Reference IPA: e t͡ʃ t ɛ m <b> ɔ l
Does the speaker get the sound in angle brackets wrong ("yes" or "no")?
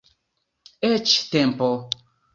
yes